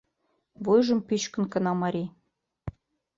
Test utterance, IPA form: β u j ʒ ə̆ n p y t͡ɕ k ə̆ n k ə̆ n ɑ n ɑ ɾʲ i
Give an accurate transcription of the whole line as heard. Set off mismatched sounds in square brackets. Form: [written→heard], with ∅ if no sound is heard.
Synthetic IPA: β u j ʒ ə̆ [n→m] p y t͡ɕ k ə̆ n k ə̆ n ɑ [n→m] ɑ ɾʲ i